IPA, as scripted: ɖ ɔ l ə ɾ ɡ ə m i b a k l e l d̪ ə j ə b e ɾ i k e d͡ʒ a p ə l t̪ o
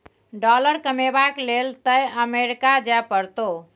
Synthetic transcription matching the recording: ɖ ɔ l ə ɾ k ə m e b a k l e l t̪ ə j ə m e ɾ i k a d͡ʒ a p ə ɾ t̪ o